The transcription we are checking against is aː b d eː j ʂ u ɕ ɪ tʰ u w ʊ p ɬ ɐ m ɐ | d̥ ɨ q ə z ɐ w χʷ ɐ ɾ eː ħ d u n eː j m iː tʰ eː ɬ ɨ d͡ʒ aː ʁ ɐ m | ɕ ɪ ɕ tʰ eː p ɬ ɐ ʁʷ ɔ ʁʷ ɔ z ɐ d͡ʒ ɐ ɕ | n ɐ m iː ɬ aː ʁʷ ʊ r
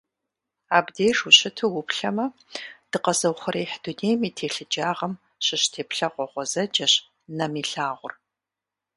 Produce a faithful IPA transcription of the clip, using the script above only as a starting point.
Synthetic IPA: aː b d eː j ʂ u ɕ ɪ tʰ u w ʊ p ɬ ɐ m ɐ | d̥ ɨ q ɐ z ɐ w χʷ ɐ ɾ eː ħ d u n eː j m iː tʰ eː ɬ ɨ d͡ʒ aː ʁ ɐ m | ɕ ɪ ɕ tʰ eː p ɬ ɐ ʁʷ ɔ ʁʷ ɔ z ɐ d͡ʒ ɐ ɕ | n ɐ m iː ɬ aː ʁʷ ʊ r